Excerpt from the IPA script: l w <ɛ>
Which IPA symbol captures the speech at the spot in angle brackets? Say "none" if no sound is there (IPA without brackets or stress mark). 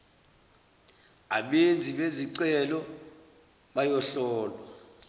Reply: a